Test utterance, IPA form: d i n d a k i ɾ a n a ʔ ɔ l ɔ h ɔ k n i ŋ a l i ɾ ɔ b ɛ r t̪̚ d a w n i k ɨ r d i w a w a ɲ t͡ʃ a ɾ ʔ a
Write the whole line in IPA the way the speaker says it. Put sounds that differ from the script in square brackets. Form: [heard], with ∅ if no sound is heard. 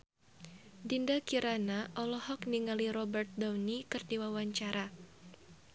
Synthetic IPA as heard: d i n d a k i ɾ a n a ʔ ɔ l ɔ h ɔ k n i ŋ a l i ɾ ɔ b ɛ r t̪̚ d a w n i k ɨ r d i w a w a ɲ t͡ʃ a ɾ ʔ a